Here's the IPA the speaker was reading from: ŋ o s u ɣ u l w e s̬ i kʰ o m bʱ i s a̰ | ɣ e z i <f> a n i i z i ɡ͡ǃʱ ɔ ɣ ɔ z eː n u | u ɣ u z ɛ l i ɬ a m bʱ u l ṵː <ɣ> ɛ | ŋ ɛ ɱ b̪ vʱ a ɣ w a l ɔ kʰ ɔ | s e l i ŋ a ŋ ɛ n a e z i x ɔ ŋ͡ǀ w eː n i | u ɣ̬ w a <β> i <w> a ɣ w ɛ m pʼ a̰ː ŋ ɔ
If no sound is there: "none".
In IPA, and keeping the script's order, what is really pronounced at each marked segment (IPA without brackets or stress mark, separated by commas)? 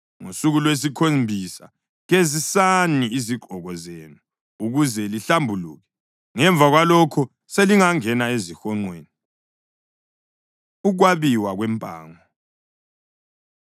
s, ɣ, β, w